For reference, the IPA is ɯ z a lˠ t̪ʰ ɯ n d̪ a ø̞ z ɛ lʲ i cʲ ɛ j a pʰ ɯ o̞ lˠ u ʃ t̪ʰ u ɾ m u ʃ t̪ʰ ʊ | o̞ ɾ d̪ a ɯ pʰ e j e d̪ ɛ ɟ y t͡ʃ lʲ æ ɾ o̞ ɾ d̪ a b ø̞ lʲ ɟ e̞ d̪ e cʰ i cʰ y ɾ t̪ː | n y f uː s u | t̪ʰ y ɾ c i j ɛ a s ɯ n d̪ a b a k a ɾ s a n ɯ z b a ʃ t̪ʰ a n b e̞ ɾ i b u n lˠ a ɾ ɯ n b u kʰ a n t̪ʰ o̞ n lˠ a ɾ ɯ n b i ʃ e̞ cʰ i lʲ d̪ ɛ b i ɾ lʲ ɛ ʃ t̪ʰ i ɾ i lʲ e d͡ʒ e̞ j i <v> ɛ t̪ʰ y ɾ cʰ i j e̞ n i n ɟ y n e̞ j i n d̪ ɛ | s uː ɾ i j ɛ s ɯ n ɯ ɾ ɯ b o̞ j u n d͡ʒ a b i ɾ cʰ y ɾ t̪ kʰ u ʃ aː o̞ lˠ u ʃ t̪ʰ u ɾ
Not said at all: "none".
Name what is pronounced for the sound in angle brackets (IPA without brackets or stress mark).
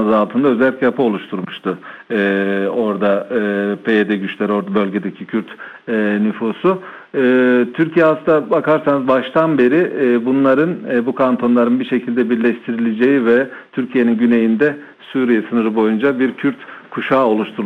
v